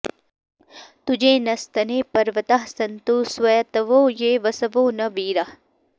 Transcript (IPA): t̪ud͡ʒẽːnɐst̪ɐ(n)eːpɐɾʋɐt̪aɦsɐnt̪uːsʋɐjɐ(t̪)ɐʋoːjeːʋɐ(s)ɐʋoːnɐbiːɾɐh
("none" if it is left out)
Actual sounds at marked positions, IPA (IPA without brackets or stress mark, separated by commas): n, t̪, s